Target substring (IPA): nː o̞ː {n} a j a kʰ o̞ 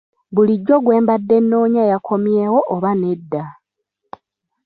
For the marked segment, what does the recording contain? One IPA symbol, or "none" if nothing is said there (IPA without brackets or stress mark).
ɲ